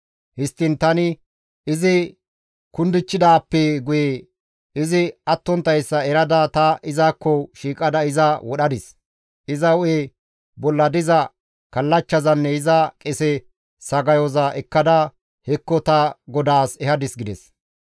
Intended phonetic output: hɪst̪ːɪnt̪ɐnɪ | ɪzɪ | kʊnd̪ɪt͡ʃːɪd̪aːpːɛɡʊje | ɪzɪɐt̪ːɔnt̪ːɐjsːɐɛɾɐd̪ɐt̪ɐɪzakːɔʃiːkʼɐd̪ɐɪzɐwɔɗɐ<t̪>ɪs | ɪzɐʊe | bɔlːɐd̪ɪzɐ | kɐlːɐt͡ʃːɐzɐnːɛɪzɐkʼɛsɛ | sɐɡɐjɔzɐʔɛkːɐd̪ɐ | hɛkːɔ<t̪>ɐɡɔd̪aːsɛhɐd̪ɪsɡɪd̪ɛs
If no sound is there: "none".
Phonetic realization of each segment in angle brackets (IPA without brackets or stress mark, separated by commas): d̪, t̪